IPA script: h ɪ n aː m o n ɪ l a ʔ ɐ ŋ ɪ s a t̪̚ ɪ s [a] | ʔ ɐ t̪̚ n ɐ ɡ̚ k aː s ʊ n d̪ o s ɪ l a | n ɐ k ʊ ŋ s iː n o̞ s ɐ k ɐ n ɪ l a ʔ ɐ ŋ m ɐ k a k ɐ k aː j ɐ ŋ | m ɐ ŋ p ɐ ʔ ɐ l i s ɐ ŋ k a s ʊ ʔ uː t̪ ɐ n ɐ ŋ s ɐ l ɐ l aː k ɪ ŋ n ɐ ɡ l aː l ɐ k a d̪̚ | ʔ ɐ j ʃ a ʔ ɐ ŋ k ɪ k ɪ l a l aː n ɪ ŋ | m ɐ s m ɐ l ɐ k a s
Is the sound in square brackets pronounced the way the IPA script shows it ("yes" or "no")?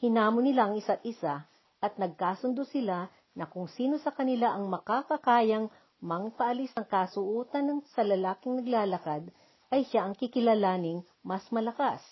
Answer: yes